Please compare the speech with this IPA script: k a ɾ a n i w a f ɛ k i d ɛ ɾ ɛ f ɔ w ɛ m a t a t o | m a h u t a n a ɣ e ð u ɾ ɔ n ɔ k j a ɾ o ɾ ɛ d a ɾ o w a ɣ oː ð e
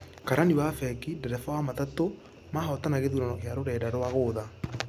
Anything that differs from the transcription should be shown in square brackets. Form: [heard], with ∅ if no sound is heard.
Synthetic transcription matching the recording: k a ɾ a n i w a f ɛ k i d ɛ ɾ ɛ f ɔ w [a] m a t a t o | m a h [ɔ] t a n a ɣ e ð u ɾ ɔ n ɔ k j a ɾ o ɾ ɛ d a ɾ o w a ɣ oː ð [a]